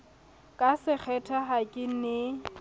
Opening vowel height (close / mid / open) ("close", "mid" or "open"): open